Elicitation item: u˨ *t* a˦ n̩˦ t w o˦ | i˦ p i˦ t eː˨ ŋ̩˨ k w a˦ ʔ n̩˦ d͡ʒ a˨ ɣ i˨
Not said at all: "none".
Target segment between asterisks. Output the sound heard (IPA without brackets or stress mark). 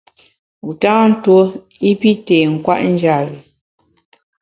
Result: t